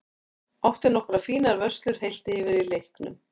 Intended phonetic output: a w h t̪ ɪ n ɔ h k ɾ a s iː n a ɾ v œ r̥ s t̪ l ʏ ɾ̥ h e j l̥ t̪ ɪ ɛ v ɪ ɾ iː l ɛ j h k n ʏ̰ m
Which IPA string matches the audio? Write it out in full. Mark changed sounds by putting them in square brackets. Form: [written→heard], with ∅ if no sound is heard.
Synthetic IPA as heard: a w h t̪ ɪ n ɔ h k ɾ a [s→f] iː n a ɾ v œ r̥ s t̪ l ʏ ɾ̥ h e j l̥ t̪ ɪ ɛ v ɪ ɾ [iː→i] l [ɛ→e] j h k n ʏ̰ m